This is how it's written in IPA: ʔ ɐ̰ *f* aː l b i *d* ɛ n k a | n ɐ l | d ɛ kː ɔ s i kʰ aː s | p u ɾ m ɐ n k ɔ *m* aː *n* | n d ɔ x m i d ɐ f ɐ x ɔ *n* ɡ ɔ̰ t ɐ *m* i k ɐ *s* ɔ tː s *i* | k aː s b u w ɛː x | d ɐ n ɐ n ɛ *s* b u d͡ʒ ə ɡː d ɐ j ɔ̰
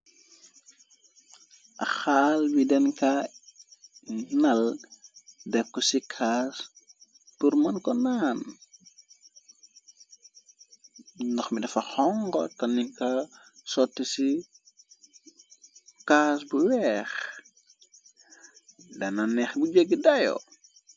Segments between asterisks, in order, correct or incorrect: incorrect: x, correct, incorrect: n, correct, incorrect: ŋ, incorrect: n, correct, correct, incorrect: x

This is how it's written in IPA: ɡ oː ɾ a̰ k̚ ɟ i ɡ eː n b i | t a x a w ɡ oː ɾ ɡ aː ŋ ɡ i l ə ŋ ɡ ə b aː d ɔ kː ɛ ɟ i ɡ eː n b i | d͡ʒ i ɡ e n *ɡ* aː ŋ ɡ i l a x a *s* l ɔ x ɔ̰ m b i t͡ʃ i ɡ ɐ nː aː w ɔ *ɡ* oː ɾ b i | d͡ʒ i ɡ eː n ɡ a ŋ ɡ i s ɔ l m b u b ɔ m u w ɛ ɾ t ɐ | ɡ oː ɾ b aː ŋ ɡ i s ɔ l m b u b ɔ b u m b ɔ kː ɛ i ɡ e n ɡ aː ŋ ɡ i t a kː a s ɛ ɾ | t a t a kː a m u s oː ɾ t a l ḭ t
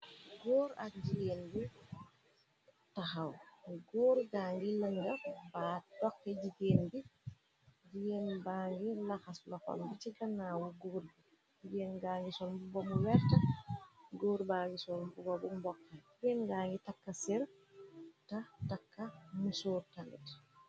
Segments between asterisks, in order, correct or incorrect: incorrect: b, correct, correct

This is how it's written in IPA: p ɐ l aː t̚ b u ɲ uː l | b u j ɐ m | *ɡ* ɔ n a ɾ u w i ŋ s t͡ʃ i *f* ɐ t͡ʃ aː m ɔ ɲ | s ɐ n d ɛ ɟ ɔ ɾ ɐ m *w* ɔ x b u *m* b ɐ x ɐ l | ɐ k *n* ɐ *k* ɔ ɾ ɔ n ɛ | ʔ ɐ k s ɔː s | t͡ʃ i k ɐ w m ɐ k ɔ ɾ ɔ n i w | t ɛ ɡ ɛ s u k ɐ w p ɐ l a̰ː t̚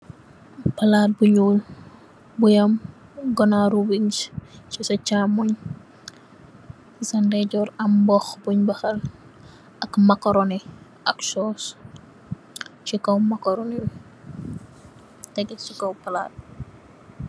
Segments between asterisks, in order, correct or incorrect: correct, incorrect: s, incorrect: b, incorrect: ɲ, incorrect: m, correct

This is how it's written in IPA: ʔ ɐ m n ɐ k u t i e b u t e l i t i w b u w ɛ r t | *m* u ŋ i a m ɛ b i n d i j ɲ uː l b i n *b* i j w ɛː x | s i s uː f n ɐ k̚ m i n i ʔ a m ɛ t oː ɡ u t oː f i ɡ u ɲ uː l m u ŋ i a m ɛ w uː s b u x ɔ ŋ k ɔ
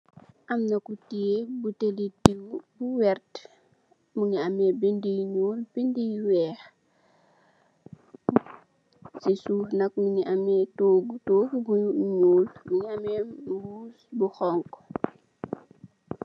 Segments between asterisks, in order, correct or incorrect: correct, incorrect: d

